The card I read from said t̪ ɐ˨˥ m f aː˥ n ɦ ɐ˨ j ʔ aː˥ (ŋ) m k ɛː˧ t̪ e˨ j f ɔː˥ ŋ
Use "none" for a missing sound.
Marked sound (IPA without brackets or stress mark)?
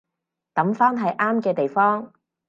none